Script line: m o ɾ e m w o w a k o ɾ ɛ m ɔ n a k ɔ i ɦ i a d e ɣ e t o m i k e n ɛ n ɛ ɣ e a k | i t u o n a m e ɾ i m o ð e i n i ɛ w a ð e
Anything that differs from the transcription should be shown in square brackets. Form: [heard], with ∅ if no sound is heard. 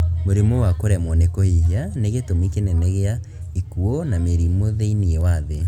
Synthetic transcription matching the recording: m o ɾ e m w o w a k o ɾ ɛ m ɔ n [e] k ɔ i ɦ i a [n] e ɣ e t o m i k e n ɛ n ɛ ɣ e a [∅] | i [k] u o n a m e ɾ i m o ð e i n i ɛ w a ð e